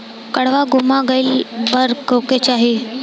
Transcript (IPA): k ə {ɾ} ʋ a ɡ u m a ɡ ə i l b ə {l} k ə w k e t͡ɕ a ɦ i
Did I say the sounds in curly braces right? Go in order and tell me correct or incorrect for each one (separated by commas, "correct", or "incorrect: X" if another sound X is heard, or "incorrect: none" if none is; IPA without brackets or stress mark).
incorrect: ɽ, incorrect: ɾ